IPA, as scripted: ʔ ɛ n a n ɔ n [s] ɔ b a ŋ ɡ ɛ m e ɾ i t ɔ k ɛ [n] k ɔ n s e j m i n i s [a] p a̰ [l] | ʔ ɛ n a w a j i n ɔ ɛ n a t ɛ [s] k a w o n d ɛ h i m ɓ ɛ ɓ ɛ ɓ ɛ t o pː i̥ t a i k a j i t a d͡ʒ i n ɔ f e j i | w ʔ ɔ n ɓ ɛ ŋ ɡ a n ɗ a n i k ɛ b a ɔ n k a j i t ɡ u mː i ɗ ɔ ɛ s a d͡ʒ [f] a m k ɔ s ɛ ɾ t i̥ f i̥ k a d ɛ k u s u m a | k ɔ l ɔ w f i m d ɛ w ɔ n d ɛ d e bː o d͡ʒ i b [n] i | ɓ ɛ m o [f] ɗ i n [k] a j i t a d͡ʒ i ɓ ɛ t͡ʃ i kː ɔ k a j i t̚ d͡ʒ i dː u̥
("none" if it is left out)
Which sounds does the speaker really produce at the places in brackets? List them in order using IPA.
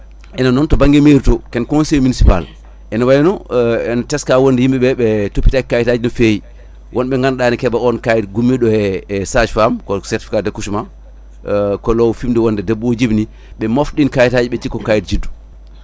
t, n, i, l, s, f, n, f, k

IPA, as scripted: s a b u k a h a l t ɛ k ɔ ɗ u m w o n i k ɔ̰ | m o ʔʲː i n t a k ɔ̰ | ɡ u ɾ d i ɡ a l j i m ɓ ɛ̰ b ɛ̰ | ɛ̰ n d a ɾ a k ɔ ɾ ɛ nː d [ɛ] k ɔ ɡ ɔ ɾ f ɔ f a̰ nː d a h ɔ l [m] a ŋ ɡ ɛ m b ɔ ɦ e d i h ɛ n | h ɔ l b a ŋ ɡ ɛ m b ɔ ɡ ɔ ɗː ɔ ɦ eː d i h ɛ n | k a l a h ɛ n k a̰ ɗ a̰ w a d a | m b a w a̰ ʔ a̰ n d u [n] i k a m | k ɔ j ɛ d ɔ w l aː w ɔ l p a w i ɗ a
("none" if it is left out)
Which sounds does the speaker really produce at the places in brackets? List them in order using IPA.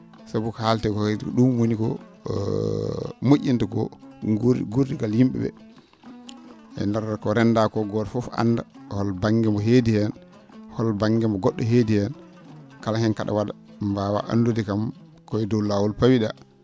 a, b, d

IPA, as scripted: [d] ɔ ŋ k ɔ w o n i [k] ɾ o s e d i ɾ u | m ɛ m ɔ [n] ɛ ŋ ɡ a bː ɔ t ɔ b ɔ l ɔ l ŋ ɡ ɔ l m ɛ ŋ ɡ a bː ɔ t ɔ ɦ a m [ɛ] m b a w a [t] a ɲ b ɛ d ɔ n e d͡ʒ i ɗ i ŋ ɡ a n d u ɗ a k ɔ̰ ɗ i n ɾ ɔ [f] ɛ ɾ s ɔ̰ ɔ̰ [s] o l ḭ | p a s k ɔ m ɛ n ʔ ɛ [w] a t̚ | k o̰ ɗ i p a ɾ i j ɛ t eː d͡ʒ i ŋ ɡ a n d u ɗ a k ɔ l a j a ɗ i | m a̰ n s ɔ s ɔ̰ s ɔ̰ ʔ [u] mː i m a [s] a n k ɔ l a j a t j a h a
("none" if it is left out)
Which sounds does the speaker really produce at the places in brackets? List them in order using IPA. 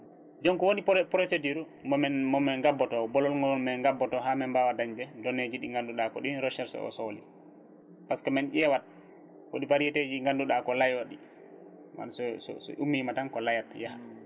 d͡ʒ, p, m, ɛ, d, ʃ, s, w, u, t

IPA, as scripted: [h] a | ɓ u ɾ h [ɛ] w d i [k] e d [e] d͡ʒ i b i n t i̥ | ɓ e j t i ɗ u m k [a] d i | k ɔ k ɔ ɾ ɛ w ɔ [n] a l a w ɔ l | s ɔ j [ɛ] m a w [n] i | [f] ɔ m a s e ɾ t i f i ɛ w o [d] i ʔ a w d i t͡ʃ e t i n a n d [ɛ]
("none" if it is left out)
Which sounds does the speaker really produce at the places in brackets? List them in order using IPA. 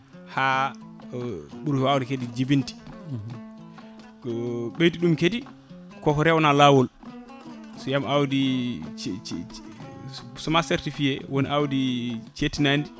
h, a, k, i, e, n, a, d, s, n, i

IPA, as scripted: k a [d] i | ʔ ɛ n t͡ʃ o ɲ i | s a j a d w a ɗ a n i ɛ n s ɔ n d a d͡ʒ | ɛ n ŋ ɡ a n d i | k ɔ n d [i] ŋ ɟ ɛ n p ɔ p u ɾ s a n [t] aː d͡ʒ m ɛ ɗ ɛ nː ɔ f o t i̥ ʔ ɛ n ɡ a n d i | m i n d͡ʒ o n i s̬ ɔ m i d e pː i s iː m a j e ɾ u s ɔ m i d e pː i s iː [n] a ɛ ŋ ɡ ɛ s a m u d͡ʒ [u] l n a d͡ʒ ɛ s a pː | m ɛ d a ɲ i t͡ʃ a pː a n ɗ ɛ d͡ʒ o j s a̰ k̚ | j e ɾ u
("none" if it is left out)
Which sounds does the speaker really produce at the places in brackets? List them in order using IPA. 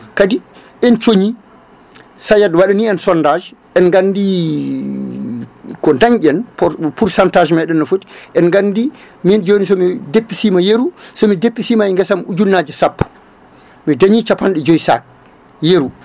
d, a, t, m, u

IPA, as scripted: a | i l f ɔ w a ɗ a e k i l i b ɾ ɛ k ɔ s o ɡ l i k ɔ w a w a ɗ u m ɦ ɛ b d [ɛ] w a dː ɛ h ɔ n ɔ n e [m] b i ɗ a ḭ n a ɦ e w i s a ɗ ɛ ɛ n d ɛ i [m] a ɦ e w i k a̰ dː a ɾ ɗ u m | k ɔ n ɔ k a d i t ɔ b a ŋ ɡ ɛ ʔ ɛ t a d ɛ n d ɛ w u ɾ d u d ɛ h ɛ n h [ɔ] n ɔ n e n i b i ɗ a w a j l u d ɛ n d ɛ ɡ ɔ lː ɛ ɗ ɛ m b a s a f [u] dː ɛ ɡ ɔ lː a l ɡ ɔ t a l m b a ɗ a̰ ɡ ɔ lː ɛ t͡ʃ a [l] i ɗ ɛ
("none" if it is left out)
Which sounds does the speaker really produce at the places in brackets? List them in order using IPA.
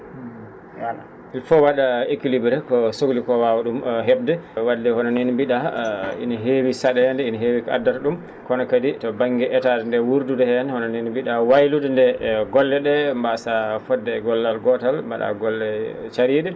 ɛ, n, n, ɔ, ɔ, ɾ

